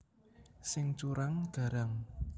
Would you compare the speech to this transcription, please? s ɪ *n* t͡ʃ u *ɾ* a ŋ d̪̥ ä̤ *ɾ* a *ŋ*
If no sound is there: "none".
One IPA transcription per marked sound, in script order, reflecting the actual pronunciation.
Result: ŋ, ɾ, ɾ, ŋ

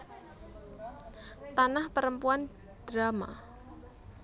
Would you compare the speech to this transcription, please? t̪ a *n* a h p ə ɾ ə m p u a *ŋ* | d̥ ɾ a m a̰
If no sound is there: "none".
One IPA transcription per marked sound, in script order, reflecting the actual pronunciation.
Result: n, n

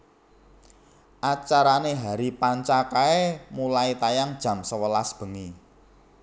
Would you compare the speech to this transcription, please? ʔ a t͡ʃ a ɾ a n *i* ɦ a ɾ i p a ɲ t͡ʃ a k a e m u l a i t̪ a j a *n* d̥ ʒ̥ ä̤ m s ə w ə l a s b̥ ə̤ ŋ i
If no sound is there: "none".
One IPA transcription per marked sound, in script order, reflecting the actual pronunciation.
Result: e, ŋ

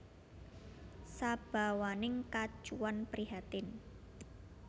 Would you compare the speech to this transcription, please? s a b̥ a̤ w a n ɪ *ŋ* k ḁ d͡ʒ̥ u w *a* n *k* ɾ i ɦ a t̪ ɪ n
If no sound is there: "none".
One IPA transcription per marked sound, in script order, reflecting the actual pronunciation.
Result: ŋ, a, p

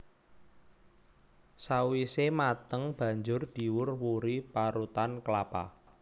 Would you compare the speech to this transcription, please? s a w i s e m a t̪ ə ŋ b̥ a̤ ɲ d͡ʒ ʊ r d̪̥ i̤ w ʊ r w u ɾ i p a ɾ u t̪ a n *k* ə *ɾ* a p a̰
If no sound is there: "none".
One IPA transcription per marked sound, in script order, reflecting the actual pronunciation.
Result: k, l

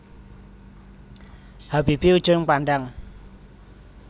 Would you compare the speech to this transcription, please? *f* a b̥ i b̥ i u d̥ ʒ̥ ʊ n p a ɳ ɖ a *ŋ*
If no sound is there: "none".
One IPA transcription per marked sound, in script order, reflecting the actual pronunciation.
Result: h, ŋ

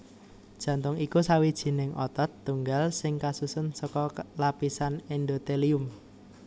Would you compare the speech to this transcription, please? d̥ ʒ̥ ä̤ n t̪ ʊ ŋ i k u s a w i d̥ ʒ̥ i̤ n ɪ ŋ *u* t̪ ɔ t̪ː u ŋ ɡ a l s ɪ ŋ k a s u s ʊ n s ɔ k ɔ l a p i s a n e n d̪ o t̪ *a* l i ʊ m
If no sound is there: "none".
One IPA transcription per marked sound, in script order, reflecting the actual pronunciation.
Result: ɔ, e

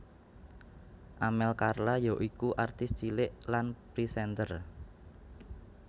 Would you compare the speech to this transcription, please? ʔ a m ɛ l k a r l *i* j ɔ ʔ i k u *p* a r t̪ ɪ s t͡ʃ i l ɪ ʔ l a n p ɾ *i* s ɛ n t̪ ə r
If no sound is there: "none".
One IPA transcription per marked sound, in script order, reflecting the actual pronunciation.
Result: a, ʔ, i

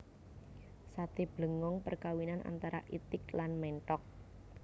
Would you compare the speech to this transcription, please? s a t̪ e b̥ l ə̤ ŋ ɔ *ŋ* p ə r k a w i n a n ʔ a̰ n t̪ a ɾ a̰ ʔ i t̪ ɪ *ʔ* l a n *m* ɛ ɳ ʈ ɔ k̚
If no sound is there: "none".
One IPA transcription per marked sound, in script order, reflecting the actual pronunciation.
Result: ŋ, k, m

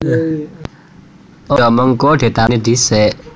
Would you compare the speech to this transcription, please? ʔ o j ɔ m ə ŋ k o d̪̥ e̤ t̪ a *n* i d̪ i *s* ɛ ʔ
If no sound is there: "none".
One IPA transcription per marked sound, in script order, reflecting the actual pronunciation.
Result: n, s

